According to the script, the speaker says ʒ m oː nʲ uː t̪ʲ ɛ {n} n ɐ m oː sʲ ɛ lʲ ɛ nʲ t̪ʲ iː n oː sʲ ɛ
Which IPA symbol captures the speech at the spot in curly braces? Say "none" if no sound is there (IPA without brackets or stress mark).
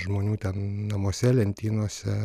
n